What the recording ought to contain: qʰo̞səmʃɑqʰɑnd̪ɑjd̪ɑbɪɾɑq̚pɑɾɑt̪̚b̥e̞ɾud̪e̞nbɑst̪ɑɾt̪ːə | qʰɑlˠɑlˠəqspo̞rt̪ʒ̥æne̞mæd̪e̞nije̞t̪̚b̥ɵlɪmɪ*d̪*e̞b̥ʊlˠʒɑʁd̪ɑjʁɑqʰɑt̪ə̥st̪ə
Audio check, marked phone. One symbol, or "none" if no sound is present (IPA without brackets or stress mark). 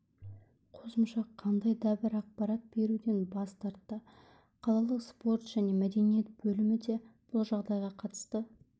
d̪